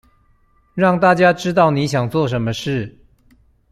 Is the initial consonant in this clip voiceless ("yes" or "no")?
no